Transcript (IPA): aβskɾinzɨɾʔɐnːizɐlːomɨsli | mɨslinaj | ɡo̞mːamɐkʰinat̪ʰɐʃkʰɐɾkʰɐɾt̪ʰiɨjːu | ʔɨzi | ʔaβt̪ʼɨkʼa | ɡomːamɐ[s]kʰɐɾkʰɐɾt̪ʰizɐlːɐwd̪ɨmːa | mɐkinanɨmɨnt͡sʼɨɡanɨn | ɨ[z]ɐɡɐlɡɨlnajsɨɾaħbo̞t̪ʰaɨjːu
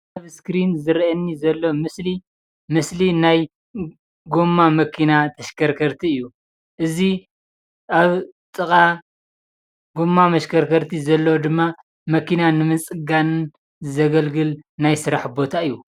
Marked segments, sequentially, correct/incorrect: incorrect: ʃ, correct

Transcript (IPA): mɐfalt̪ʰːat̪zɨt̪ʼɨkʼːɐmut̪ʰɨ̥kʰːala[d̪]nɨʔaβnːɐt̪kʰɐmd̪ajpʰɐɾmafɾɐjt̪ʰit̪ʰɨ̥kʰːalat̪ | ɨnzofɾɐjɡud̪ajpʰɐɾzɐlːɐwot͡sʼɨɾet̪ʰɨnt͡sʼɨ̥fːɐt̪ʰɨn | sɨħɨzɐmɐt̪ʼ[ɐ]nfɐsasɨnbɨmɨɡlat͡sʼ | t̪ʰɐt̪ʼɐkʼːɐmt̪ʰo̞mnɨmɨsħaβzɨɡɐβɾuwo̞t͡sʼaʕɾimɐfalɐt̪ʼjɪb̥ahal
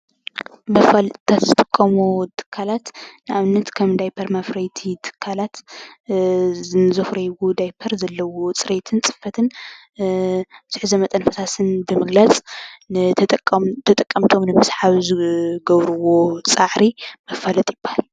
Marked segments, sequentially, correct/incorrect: incorrect: t̪, correct

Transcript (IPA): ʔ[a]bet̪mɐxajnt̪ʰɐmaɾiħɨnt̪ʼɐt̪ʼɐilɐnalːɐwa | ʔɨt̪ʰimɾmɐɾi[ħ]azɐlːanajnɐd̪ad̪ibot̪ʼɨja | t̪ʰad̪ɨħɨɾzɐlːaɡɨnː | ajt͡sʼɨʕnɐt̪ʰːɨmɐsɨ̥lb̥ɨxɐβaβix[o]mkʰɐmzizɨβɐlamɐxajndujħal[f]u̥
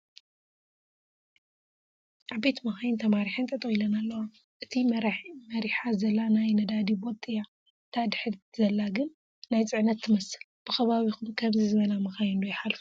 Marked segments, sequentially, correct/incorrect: correct, correct, incorrect: u, correct

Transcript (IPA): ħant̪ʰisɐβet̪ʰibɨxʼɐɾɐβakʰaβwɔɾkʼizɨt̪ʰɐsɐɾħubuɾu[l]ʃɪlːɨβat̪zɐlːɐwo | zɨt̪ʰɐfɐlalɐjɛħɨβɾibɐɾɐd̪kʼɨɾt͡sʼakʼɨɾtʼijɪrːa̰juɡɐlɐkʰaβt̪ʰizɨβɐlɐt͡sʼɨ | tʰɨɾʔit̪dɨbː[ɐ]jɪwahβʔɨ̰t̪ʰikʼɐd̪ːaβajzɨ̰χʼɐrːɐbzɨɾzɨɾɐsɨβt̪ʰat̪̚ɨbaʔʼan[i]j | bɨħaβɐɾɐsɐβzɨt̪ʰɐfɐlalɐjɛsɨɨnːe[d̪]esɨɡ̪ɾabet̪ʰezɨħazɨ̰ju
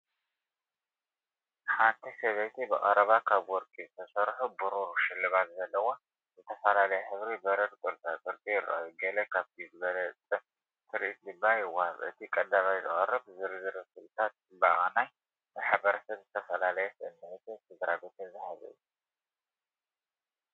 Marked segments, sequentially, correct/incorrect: incorrect: ɾ, incorrect: a, incorrect: a, incorrect: t̪

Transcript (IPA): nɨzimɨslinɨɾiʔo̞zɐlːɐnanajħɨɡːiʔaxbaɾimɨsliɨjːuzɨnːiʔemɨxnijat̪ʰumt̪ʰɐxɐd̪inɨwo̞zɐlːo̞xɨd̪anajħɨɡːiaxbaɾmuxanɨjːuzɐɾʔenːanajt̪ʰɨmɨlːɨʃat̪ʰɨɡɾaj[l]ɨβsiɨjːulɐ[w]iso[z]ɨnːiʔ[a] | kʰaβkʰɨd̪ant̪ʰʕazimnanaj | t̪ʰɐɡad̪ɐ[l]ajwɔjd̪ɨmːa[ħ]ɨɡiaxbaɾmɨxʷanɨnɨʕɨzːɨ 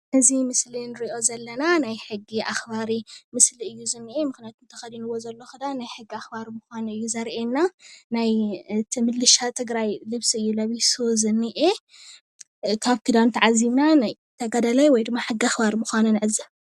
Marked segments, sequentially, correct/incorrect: correct, incorrect: β, correct, incorrect: e, correct, correct

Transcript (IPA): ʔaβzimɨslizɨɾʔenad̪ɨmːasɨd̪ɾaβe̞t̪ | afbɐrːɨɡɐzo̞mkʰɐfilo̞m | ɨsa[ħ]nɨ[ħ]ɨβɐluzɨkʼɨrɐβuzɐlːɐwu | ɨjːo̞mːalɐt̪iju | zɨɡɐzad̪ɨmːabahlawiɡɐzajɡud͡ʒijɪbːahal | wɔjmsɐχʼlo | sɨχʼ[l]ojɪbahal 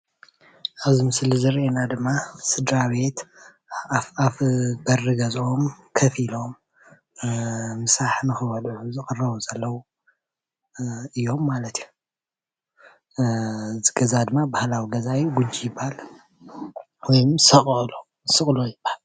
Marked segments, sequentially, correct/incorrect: correct, incorrect: x, correct

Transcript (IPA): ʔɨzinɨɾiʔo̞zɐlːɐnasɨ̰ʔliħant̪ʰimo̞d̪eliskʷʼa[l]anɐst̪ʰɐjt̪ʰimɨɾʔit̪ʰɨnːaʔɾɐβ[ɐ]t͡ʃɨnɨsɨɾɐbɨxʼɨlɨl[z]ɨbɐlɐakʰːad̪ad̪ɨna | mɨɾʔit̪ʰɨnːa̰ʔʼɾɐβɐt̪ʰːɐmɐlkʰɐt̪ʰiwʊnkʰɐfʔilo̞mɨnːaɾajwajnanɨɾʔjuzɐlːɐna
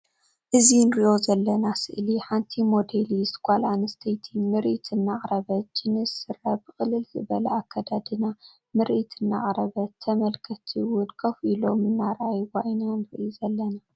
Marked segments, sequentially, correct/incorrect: correct, correct, correct

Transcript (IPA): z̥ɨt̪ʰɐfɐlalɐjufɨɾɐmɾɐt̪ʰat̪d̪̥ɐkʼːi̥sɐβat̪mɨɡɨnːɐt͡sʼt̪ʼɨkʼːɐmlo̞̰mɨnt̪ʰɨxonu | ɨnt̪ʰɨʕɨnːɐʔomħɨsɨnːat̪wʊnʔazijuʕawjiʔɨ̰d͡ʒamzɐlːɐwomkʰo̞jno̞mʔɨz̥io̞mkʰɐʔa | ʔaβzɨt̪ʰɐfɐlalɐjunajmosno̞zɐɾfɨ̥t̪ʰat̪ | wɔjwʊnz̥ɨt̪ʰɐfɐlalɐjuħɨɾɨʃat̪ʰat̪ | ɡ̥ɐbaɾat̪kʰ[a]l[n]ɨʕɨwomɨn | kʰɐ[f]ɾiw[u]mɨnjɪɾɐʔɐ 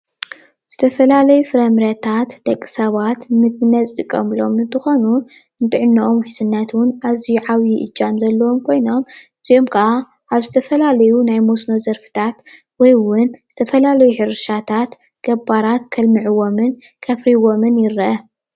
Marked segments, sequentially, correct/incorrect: incorrect: ɐ, incorrect: m, correct, incorrect: o

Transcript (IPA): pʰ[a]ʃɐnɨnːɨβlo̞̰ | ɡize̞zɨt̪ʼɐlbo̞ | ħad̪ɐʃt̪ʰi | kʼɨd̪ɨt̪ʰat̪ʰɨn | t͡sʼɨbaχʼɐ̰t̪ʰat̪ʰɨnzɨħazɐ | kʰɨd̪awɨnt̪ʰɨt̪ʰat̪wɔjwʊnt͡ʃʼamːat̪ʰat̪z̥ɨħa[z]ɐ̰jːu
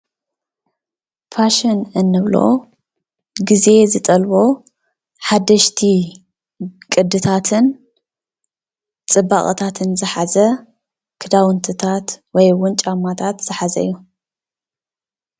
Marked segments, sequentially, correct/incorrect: correct, correct

